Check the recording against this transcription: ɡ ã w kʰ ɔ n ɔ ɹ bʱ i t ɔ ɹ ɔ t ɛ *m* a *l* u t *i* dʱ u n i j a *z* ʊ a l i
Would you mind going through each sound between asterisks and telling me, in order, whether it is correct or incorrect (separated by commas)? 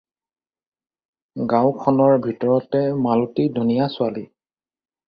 correct, correct, correct, incorrect